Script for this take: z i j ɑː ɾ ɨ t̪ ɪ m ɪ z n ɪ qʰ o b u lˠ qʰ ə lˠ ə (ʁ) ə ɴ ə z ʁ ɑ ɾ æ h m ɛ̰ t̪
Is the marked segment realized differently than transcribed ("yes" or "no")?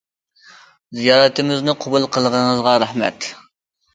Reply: no